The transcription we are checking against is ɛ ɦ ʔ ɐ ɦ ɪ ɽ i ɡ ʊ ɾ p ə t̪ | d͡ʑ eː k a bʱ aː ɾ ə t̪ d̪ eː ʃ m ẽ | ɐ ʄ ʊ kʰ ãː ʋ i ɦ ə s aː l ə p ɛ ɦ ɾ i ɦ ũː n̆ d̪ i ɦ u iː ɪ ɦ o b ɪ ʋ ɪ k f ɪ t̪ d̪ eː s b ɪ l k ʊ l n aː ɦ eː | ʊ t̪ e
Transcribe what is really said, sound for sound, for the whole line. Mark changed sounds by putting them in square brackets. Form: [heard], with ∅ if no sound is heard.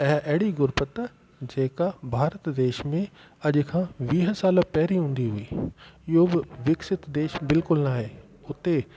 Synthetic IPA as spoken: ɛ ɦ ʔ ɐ ɦ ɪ ɽ i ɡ ʊ ɾ p ə t̪ | d͡ʑ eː k a bʱ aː ɾ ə t̪ d̪ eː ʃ m ẽ | ɐ ʄ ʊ kʰ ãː ʋ [iː] ɦ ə s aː l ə p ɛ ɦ ɾ i ɦ ũː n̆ d̪ i ɦ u iː ɪ ɦ o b ɪ ʋ ɪ k [s] ɪ t̪ d̪ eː [ʃ] b ɪ l k ʊ l n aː ɦ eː | ʊ t̪ e